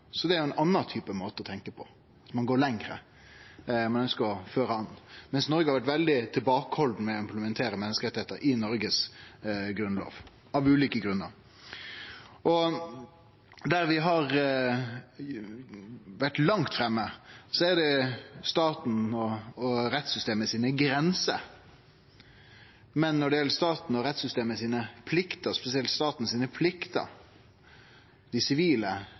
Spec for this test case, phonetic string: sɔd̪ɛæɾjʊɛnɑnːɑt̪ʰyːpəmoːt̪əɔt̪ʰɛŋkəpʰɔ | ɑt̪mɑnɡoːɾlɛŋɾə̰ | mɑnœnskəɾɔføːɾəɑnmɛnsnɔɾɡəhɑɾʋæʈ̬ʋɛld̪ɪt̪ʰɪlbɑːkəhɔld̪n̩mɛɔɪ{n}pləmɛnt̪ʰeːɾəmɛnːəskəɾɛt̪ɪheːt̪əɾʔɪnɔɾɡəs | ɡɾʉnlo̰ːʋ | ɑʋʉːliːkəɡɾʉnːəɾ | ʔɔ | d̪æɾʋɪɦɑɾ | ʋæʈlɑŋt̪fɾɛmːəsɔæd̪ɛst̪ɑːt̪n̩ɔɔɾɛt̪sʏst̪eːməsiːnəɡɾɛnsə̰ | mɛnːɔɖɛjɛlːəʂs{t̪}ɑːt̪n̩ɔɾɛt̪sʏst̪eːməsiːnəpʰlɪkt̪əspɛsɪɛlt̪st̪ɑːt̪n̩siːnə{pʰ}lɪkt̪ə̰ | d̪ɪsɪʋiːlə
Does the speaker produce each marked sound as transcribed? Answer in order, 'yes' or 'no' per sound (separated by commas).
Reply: no, yes, yes